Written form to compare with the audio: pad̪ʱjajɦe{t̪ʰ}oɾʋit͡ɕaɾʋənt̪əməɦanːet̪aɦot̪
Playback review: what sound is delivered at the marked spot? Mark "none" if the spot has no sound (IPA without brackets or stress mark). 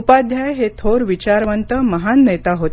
t̪ʰ